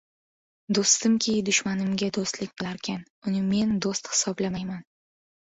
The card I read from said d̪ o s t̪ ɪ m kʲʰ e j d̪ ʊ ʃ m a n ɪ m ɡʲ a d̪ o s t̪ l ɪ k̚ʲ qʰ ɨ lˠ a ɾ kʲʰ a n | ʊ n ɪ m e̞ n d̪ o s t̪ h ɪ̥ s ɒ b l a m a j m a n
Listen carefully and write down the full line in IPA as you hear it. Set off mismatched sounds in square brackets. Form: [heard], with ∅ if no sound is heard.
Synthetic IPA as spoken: d̪ o s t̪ ɪ m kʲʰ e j d̪ ʊ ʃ m a n ɪ m ɡʲ a d̪ o s t̪ l ɪ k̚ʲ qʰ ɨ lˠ a ɾ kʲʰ a n | ʊ n ɪ m e̞ n d̪ o s t̪ h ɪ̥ s ɒ b l a m a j m a n

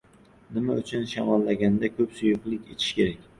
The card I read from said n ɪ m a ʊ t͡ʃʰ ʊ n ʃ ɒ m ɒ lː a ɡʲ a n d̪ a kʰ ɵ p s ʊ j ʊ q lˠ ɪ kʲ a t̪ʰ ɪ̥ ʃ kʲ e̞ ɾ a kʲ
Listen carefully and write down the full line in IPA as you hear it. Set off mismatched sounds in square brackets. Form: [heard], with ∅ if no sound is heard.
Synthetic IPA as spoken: n ɪ m a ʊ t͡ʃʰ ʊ n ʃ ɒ m ɒ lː a ɡʲ a n d̪ a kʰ ɵ p s ʊ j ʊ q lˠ ɪ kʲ [e] t̪ʰ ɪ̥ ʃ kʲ e̞ ɾ a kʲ

